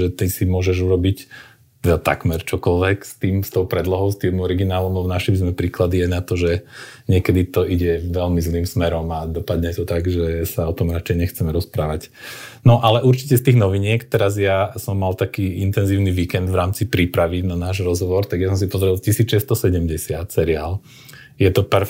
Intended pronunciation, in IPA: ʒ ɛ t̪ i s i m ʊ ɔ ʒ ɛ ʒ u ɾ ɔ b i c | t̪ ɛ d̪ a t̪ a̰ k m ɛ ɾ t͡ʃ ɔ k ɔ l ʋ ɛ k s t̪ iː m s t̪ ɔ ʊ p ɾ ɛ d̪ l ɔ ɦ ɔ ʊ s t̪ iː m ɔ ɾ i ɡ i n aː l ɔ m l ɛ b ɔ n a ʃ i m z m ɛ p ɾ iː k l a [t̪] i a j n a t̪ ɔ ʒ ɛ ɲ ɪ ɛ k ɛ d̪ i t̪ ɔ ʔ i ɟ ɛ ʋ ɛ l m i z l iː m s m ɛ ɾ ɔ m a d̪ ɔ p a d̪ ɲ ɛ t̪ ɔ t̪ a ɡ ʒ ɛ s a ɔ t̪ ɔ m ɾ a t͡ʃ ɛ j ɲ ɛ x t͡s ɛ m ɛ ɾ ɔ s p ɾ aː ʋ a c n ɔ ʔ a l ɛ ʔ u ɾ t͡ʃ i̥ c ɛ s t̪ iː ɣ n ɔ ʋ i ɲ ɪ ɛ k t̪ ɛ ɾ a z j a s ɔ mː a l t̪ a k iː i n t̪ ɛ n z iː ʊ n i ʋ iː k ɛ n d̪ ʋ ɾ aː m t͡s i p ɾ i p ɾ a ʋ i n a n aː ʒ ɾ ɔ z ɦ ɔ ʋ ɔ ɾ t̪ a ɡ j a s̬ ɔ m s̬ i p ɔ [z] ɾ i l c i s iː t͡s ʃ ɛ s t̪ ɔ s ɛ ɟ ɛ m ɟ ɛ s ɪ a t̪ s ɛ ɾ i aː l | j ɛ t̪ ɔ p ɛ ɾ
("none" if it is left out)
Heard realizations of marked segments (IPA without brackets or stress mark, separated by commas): d̪, z